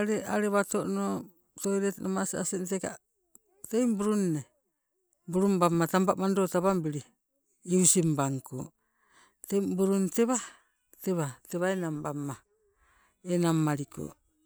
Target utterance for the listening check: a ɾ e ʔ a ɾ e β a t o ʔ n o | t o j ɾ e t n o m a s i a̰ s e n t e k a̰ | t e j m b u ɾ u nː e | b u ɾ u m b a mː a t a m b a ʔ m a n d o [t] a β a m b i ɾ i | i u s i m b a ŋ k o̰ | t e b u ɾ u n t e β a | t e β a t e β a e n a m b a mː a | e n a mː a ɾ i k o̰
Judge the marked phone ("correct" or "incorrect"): correct